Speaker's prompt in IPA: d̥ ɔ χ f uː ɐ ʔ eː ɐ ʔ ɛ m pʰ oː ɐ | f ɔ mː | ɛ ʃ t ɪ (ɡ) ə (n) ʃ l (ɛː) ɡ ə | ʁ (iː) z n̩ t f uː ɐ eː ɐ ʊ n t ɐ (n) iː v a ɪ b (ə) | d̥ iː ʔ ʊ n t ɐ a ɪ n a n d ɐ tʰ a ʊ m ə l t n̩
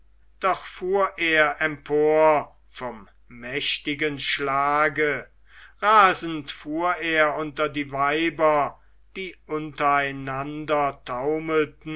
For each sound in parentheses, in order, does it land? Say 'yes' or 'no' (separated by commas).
yes, yes, no, no, no, no